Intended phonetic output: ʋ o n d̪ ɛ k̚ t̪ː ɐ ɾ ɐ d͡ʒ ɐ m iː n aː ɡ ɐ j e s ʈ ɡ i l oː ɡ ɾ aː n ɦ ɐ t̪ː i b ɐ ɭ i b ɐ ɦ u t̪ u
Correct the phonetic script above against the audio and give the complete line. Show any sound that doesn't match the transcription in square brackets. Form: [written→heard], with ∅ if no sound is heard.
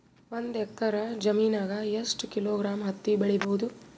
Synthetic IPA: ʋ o n d̪ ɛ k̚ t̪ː ɐ ɾ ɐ d͡ʒ ɐ m iː n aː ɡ ɐ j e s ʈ [ɡ→k] i l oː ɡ ɾ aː [n→m] ɦ ɐ t̪ː i b ɐ ɭ i b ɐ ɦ u [t̪→d̪] u